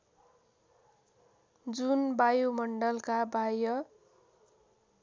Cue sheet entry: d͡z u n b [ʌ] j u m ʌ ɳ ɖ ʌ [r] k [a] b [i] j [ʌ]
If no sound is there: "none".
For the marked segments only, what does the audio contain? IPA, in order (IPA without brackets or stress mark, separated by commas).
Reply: a, l, a, a, ʌ